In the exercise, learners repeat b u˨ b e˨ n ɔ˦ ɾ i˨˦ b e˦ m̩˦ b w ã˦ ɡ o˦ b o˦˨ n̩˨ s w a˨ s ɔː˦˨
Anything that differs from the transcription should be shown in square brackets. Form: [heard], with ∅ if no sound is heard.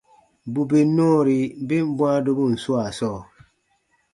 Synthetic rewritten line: b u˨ b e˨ n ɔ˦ ɾ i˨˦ b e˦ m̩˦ b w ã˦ [d] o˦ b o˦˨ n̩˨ s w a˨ s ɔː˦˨